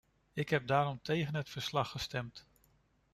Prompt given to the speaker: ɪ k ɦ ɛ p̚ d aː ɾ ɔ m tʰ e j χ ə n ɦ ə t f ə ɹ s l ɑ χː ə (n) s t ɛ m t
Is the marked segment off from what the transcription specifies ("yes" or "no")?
yes